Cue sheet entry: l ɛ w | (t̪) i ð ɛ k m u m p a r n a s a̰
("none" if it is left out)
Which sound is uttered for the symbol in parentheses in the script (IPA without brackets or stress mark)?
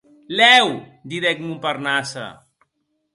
d̪